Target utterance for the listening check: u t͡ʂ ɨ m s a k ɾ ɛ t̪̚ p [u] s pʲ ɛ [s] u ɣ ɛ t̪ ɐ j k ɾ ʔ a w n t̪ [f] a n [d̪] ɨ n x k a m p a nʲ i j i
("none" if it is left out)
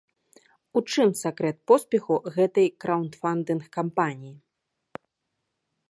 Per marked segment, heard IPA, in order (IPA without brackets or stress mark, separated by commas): ɔ, x, f, d̪